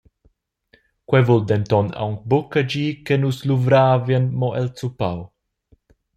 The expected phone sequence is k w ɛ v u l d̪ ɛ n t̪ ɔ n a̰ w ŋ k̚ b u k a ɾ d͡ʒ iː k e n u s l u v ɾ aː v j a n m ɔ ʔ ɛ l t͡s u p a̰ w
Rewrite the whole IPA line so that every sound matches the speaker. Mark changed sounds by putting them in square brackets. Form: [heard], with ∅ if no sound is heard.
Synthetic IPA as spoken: k w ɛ v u l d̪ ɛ n t̪ ɔ n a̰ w ŋ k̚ b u k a [∅] d͡ʒ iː k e n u s l u v ɾ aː v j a n m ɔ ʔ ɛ l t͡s u p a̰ w